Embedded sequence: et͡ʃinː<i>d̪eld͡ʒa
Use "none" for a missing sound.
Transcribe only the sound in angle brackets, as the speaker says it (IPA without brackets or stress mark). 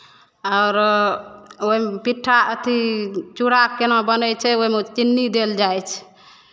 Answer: i